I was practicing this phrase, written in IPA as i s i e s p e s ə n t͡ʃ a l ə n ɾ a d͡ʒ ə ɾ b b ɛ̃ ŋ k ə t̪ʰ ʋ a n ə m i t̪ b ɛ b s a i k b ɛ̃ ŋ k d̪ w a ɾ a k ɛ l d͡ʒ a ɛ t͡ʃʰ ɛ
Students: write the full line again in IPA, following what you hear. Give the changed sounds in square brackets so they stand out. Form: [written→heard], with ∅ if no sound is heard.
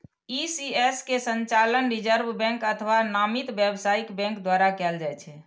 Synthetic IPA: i s i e s [p→k] e s ə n t͡ʃ a l ə n ɾ [a→i] d͡ʒ ə ɾ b b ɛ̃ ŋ k ə t̪ʰ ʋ a n [ə→a] m i t̪ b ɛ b s a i k b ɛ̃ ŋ k d̪ w a ɾ a k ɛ l d͡ʒ a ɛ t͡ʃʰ ɛ